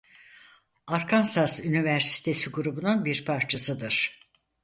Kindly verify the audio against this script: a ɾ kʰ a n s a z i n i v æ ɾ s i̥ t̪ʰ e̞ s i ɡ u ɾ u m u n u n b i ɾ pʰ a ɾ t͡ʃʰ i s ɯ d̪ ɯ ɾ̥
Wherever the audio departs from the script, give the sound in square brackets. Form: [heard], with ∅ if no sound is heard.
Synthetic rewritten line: a ɾ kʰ a n s a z [y] n i v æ ɾ s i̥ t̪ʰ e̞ s i ɡ u ɾ u [b] u n u n b i ɾ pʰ a ɾ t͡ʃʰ [a] s ɯ d̪ ɯ ɾ̥